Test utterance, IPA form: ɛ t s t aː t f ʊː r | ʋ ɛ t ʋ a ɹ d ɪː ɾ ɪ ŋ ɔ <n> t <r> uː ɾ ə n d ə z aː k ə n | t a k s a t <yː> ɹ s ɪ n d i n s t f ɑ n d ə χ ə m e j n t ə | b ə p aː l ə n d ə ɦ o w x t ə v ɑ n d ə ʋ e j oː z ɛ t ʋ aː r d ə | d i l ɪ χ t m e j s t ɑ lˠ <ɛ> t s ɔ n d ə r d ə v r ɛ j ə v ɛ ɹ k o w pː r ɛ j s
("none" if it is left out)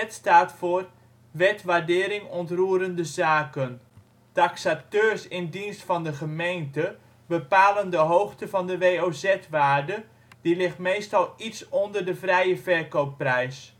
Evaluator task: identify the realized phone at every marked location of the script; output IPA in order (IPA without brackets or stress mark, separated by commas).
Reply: n, r, øː, i